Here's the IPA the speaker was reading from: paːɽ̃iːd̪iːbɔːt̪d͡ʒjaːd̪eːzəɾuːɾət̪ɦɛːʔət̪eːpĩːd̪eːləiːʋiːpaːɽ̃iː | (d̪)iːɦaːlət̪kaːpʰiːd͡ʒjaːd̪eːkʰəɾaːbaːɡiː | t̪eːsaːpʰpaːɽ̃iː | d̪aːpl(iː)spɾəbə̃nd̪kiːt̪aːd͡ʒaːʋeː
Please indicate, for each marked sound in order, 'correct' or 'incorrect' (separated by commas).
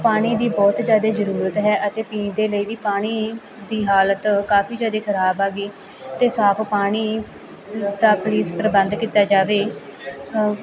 correct, correct